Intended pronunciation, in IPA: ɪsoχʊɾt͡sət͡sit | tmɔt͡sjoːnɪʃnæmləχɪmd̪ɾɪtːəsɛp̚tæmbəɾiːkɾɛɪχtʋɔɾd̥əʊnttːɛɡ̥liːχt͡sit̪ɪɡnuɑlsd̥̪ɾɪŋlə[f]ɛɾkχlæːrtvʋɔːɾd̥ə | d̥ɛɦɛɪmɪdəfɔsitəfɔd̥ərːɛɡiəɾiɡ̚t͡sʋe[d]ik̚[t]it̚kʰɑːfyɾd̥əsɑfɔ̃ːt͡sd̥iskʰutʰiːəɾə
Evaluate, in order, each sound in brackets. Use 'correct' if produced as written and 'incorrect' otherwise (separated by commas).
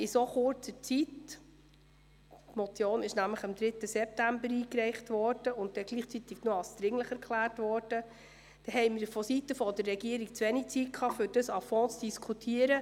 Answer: incorrect, incorrect, incorrect